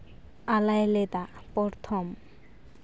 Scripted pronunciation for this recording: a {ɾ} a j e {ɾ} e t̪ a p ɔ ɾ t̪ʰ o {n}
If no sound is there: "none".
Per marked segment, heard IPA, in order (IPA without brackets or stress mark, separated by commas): l, l, m